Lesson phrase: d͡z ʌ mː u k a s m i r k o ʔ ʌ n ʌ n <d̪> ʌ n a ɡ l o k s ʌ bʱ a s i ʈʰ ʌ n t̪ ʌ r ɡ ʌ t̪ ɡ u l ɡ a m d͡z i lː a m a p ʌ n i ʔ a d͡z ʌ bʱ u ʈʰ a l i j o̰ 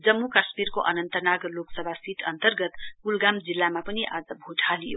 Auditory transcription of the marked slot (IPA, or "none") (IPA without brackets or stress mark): t̪